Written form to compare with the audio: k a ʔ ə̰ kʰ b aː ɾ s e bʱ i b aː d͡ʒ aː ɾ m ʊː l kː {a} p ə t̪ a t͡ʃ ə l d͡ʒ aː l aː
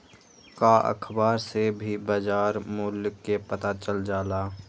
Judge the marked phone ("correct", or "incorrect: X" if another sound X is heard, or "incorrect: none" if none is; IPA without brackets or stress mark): incorrect: e